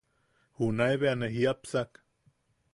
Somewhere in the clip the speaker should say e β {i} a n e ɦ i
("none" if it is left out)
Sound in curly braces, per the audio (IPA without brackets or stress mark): e